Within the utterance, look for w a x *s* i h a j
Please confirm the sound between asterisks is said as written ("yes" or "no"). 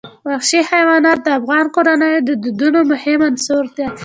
no